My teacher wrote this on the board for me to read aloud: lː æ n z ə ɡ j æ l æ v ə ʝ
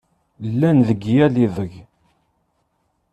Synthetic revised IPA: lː æ n ð ə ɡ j æ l i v ə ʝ